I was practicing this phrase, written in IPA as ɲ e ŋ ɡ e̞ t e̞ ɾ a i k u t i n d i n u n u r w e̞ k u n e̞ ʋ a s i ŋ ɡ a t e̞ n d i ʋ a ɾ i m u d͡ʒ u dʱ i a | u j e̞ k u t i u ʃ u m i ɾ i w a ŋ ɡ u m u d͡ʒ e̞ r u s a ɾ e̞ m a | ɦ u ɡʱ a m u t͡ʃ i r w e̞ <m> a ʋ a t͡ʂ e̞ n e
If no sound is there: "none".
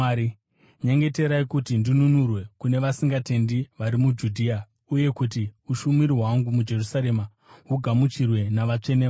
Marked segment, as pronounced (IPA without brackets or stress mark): n